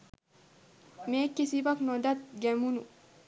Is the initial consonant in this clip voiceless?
no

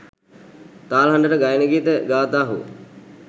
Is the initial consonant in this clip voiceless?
yes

